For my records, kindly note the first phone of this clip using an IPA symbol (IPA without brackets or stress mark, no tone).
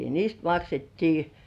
n